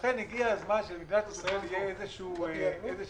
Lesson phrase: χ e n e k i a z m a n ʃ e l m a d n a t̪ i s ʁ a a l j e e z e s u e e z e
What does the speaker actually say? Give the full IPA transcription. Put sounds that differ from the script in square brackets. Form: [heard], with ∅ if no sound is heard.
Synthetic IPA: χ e n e [ɡ] i a z m a n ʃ e l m [i] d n a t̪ i s ʁ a [e] l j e e z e [ʃ] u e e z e